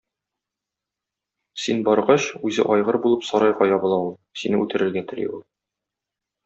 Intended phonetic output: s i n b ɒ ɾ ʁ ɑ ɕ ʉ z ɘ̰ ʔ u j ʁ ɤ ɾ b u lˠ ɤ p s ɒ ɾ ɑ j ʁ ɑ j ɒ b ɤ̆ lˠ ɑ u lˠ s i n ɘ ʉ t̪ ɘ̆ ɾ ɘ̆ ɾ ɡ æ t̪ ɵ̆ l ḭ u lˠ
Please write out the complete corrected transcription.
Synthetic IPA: s i n b ɒ ɾ ʁ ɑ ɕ ʉ z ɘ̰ ʔ ɒ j ʁ ɤ ɾ b u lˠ ɤ p s ɒ ɾ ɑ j ʁ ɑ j ɒ b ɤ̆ lˠ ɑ u lˠ s i n ɘ ʉ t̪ ɘ̆ ɾ ɘ̆ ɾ ɡ æ t̪ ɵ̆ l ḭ u lˠ